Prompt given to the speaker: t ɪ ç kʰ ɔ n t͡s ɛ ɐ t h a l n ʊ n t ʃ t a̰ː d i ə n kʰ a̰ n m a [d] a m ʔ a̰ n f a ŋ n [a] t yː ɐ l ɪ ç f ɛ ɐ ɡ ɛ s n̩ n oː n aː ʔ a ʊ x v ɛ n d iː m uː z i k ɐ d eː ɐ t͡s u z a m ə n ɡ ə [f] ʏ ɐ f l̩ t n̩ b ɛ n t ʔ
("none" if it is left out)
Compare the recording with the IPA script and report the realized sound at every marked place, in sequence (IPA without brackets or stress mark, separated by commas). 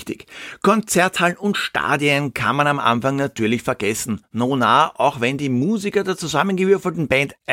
n, a, v